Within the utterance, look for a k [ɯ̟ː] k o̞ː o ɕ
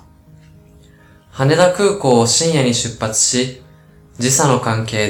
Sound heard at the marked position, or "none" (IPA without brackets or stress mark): ɯ̟ː